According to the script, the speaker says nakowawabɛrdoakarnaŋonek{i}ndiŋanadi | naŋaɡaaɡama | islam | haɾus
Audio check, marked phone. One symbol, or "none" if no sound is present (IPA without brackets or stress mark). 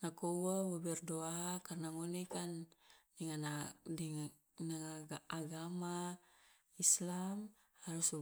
a